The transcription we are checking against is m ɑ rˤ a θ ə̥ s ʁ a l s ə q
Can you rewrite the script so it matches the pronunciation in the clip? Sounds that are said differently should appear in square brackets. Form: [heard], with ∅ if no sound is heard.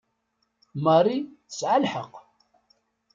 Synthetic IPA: m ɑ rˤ [i] θ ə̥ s [ʕ] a l [ħ] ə q